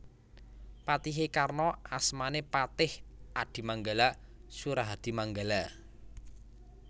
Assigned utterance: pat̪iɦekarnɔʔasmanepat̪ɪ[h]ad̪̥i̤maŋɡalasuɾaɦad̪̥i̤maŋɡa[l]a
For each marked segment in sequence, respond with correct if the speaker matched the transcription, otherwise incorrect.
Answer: correct, correct

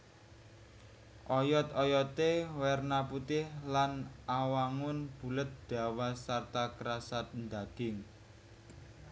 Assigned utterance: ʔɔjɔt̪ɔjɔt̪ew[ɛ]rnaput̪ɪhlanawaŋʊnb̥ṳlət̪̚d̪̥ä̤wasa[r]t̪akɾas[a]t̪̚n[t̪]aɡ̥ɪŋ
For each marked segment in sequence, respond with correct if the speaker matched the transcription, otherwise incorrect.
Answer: correct, correct, correct, incorrect: d̪

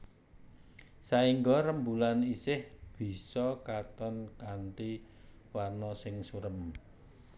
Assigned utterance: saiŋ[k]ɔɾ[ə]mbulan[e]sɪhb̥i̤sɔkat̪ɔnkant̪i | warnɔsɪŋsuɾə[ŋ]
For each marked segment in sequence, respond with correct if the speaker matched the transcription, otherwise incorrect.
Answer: incorrect: ɡ, correct, incorrect: i, incorrect: m

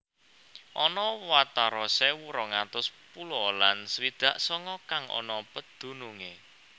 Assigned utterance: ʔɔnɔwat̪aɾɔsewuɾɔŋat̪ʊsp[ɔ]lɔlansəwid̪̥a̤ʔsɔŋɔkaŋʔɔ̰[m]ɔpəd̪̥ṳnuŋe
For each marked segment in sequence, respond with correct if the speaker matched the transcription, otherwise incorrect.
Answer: incorrect: u, incorrect: n

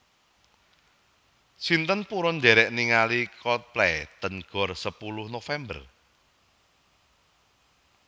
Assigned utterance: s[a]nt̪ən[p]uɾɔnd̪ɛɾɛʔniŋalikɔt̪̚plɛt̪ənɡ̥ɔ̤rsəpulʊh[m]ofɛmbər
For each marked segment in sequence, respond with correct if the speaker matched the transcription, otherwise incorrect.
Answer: incorrect: i, correct, incorrect: n

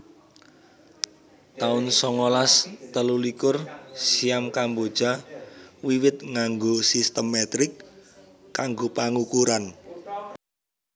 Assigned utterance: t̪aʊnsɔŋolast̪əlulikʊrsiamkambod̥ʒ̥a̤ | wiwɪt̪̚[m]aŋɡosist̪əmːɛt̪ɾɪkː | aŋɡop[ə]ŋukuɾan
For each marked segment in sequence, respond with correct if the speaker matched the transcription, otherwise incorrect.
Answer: incorrect: ŋ, incorrect: a

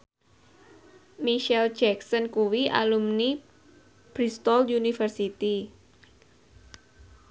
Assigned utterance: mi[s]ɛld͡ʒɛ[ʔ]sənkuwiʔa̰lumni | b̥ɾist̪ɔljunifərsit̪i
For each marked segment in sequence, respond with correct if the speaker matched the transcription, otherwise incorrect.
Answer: incorrect: ʃ, incorrect: k

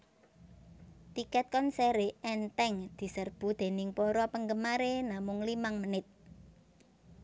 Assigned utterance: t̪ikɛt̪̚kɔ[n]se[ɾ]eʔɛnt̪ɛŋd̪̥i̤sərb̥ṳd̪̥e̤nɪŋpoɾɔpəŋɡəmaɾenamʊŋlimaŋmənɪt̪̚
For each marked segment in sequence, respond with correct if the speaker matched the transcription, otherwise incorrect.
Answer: correct, correct

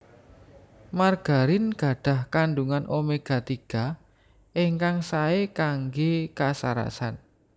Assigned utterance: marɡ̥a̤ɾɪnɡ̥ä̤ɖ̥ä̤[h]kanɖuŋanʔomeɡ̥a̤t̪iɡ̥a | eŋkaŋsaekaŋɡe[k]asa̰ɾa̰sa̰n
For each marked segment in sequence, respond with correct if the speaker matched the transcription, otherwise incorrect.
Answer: correct, correct

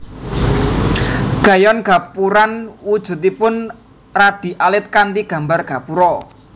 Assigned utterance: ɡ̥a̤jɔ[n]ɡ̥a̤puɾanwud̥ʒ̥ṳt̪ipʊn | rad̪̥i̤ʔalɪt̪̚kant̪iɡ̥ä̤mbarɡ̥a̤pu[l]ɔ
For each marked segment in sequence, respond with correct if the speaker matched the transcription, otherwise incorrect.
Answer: correct, incorrect: ɾ

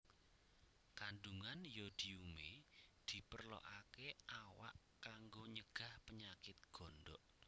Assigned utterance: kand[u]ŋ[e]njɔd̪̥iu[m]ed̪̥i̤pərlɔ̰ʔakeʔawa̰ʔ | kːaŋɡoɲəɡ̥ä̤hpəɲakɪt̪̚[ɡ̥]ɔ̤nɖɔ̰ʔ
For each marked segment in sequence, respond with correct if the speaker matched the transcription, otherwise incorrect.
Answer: correct, incorrect: a, correct, correct

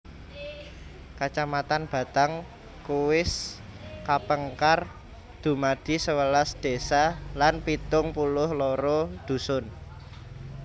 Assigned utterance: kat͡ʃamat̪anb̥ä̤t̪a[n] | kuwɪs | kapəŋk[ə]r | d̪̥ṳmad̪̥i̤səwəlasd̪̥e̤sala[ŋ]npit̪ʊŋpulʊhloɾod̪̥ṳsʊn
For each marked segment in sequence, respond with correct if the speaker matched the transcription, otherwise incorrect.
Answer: incorrect: ŋ, incorrect: a, incorrect: none

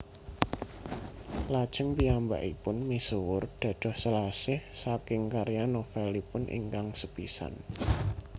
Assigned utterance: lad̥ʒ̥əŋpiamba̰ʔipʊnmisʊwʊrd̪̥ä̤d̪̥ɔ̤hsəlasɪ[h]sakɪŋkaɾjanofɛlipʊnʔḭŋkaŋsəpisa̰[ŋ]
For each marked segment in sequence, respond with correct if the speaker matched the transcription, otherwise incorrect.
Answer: correct, incorrect: n

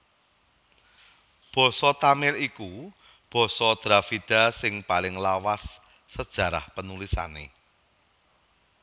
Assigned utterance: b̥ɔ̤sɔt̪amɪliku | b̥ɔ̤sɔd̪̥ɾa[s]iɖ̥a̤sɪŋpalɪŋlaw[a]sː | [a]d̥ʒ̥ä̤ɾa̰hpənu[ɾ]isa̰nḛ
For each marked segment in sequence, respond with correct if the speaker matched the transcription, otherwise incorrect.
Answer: incorrect: f, correct, incorrect: ə, incorrect: l

